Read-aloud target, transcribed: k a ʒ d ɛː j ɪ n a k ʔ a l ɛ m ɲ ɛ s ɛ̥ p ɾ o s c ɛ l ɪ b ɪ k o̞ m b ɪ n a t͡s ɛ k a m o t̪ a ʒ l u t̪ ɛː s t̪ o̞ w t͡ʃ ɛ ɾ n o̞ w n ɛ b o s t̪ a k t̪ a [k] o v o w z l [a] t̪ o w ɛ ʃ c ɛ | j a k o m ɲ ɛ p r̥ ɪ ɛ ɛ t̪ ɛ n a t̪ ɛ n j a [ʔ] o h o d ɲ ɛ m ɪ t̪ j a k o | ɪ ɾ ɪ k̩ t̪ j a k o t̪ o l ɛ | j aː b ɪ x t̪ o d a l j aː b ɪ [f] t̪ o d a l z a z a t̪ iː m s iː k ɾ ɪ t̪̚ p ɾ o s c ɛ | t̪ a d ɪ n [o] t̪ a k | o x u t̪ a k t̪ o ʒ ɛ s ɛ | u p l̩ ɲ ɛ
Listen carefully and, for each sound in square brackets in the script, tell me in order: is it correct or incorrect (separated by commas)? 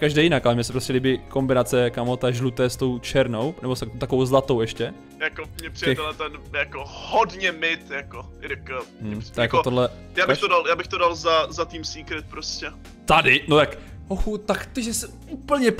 correct, correct, incorrect, incorrect, correct